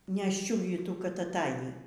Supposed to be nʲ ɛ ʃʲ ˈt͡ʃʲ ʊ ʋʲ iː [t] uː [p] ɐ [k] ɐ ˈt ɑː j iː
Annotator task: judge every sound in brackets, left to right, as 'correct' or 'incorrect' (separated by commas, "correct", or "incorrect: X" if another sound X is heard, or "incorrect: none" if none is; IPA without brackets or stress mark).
correct, incorrect: k, incorrect: t